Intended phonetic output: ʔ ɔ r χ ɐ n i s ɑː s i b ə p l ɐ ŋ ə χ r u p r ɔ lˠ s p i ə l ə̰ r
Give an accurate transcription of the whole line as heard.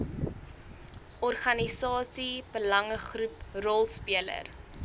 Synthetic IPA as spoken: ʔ ɔ r χ ɐ n i s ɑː s i b ə l ɐ ŋ ə χ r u p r ɔ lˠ s p i ə l ə̰ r